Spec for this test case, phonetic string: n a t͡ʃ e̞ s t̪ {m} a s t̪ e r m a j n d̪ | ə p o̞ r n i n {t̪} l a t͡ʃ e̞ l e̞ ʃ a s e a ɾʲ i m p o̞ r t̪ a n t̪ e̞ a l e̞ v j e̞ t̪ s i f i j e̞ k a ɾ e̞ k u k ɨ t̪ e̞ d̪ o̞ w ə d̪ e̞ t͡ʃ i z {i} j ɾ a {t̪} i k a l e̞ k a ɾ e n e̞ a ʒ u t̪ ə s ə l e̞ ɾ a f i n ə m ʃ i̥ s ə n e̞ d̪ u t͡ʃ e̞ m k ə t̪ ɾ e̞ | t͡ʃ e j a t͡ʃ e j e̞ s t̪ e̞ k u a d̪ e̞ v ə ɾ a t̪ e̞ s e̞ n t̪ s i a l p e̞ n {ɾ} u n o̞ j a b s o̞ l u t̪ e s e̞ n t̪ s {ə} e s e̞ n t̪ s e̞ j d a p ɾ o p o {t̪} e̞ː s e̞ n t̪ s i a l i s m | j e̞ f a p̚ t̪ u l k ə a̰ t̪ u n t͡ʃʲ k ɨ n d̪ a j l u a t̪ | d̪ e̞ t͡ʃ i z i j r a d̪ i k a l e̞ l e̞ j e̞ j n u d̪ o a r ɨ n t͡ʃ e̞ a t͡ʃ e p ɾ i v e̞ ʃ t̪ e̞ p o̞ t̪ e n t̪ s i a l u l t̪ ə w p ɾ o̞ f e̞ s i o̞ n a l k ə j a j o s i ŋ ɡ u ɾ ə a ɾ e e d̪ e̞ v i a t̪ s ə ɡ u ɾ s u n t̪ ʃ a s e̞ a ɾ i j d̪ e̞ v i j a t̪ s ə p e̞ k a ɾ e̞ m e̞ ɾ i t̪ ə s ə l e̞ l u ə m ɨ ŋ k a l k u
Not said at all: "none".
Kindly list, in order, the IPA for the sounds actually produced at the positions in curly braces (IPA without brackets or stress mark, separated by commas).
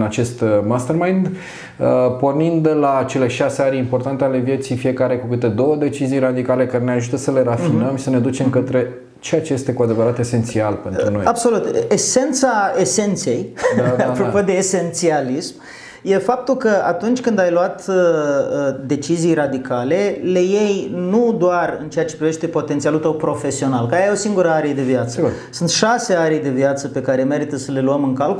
m, d̪, i, d̪, ɾ, a, d̪